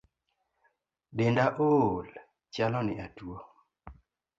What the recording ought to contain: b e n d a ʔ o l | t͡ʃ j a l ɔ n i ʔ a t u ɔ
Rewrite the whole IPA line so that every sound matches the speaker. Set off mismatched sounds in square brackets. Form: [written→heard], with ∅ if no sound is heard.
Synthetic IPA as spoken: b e n d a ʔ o l | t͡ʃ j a l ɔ n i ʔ a t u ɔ